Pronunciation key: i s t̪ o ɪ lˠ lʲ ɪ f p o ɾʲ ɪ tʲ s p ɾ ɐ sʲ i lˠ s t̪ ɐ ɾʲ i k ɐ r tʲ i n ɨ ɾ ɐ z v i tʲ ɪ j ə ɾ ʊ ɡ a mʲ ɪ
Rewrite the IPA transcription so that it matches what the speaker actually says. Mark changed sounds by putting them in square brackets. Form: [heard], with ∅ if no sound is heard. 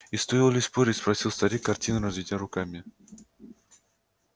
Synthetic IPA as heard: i s t̪ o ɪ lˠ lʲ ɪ [s] p o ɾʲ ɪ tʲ s p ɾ ɐ sʲ i lˠ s t̪ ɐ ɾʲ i k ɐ r tʲ i n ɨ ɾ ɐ z v i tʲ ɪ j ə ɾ ʊ [k] a mʲ ɪ